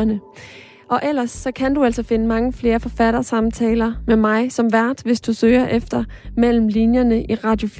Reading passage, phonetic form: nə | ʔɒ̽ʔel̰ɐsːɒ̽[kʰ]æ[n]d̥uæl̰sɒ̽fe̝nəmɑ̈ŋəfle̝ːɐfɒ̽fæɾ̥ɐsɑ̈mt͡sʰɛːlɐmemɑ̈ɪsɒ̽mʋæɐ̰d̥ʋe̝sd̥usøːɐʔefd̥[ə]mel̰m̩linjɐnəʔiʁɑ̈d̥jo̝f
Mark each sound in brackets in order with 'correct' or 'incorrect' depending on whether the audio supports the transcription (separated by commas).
correct, correct, incorrect